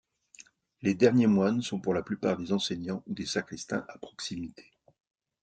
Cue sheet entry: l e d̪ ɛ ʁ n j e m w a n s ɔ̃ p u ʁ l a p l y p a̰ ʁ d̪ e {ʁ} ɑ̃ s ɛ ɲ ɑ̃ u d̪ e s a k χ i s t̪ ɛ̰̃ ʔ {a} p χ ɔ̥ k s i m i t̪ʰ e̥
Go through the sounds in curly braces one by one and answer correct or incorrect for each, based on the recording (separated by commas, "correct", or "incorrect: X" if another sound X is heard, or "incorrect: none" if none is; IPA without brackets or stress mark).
incorrect: z, correct